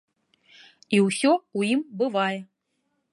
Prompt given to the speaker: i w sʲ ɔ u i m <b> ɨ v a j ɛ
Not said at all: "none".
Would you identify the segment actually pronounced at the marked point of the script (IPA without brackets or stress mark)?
b